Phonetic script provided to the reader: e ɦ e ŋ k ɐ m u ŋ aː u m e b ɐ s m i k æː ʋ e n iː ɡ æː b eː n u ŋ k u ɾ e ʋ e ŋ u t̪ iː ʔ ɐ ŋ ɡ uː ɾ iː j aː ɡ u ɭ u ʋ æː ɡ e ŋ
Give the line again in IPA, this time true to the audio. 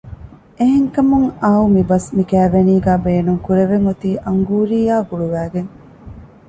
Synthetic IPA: e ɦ e ŋ k ɐ m u ŋ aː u m i b ɐ s m i k æː ʋ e n iː ɡ æː b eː n u ŋ k u ɾ e ʋ e ŋ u t̪ iː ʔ ɐ ŋ ɡ uː ɾ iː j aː ɡ u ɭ u ʋ æː ɡ e ŋ